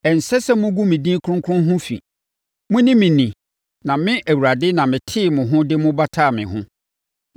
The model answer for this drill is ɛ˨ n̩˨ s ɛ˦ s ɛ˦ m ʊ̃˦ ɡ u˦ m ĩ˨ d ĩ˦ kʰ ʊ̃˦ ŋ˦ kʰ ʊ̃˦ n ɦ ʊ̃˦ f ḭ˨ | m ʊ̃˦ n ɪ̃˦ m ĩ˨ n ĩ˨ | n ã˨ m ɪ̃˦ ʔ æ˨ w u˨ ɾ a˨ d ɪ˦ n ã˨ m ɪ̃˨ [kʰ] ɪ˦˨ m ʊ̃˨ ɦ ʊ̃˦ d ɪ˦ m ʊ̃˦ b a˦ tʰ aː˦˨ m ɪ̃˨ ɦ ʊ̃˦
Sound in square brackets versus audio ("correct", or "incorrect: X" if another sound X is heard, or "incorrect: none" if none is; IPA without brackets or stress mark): incorrect: tʰ